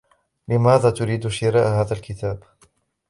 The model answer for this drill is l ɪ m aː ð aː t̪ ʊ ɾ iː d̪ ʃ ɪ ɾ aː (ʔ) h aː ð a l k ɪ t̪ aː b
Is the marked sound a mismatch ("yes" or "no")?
no